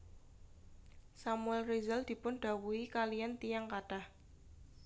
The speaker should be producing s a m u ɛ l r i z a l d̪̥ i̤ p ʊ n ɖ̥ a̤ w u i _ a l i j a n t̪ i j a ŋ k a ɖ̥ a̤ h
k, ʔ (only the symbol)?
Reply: k